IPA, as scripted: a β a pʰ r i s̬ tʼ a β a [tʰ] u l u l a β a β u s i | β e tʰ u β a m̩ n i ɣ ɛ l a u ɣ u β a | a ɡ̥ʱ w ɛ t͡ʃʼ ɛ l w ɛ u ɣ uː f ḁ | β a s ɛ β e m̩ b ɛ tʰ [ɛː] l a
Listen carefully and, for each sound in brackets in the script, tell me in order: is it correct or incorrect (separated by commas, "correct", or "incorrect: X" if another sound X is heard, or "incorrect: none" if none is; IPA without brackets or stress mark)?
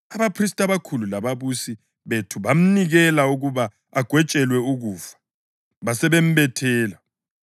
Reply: incorrect: kʰ, correct